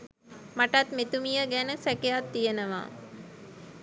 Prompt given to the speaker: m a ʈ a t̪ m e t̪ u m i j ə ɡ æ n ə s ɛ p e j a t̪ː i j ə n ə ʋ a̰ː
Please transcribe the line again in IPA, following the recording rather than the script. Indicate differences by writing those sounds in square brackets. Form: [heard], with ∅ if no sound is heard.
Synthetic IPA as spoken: m a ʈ a t̪ m e t̪ u m i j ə ɡ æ n ə s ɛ [k] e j a t̪ː i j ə n ə ʋ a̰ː